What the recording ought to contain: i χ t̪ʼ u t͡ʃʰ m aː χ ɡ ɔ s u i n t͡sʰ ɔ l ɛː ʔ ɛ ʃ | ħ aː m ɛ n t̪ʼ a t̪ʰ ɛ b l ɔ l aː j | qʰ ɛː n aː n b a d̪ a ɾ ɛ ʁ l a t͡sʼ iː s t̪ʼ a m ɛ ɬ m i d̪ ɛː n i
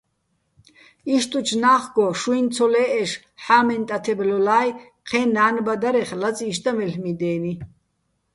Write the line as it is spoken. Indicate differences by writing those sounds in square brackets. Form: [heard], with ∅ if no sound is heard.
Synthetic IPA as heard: i [ʃ] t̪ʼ u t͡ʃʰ [n] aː χ ɡ ɔ [ʃ] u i n t͡sʰ ɔ l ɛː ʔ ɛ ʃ | ħ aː m ɛ n t̪ʼ a t̪ʰ ɛ b l ɔ l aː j | qʰ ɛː n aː n b a d̪ a ɾ ɛ [χ] l a t͡sʼ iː [ʃ] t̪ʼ a m ɛ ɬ m i d̪ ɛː n i